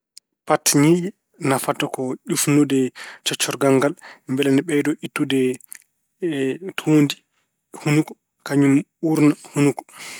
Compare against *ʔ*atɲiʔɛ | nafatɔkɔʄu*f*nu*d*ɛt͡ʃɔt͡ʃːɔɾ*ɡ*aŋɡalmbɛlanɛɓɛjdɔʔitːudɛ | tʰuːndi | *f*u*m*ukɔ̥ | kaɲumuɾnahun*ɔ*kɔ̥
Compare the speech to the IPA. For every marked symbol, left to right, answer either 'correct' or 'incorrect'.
incorrect: p, correct, correct, correct, incorrect: h, incorrect: n, incorrect: u

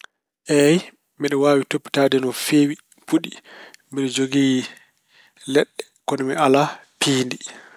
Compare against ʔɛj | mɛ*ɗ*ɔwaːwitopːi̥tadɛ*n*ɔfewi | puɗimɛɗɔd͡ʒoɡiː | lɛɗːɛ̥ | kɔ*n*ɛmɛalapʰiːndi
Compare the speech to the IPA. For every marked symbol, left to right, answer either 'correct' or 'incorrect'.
correct, correct, correct

